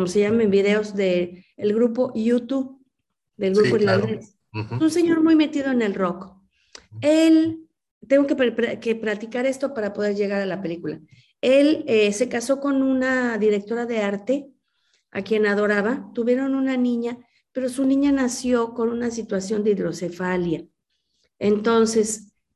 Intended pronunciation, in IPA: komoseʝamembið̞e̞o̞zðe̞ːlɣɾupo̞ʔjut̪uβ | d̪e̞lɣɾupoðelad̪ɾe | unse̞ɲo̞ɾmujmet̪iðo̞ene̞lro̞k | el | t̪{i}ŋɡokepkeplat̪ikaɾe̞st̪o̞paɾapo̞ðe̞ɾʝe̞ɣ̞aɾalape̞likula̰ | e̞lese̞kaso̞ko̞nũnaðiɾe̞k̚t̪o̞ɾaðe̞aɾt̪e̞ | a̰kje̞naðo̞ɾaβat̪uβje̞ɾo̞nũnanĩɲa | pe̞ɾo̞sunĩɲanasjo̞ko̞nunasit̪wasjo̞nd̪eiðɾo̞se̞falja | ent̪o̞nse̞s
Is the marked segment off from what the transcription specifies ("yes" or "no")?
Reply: yes